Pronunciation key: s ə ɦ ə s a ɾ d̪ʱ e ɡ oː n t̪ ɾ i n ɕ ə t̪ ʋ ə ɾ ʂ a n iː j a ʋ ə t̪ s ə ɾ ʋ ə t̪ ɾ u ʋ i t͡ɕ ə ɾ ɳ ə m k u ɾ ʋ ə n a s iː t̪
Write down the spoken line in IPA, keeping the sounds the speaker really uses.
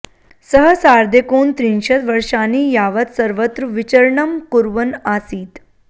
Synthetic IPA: s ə ɦ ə s a ɾ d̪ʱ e k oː n t̪ ɾ i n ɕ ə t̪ ʋ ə ɾ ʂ a n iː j a ʋ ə t̪ s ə ɾ ʋ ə t̪ ɾ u ʋ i t͡ɕ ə ɾ ɳ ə m k u ɾ ʋ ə n a s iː t̪